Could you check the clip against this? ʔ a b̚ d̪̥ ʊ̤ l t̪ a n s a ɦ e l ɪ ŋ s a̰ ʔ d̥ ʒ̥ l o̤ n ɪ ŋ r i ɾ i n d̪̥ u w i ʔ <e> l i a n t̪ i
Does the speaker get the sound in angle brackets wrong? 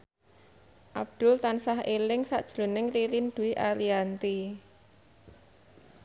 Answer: yes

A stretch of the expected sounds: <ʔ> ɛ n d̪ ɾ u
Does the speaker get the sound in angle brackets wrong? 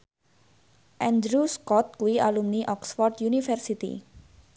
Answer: no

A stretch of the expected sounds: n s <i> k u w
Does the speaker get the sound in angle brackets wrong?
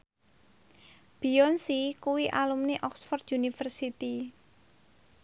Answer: no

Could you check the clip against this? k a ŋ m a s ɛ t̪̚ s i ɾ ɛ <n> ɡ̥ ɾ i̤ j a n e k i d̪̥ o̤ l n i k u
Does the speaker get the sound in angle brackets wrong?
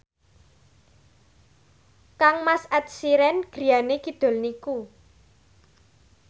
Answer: no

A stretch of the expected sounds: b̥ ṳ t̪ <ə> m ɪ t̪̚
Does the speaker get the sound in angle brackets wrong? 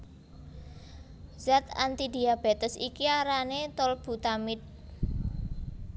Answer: yes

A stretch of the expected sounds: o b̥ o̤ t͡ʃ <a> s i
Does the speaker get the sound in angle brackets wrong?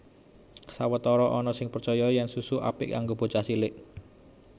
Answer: no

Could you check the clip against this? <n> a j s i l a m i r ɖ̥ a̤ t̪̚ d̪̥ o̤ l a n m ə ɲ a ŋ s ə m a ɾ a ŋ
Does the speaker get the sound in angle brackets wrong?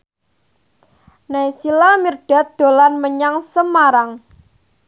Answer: no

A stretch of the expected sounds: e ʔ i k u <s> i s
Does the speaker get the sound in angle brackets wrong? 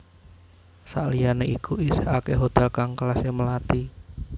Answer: yes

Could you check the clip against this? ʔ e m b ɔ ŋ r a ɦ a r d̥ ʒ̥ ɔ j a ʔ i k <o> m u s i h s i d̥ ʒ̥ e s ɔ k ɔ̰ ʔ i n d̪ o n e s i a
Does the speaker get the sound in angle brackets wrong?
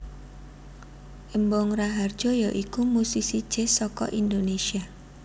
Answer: yes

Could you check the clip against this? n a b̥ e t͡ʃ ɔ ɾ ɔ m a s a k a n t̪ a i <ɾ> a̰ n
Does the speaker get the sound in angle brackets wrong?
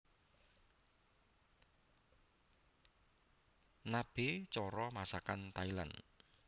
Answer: yes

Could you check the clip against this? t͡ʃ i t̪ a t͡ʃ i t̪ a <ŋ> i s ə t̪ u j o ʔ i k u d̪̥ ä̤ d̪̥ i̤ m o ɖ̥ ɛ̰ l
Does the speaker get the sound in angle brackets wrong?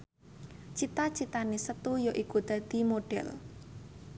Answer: yes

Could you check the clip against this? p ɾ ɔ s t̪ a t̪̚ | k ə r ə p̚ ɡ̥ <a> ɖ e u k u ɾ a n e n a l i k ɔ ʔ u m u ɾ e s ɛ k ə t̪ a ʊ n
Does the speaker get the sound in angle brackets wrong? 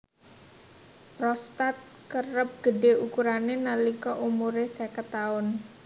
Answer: yes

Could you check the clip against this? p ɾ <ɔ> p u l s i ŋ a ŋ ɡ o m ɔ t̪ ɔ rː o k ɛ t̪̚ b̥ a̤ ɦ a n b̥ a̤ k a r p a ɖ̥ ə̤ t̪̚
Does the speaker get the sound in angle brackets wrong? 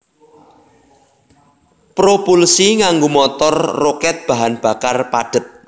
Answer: yes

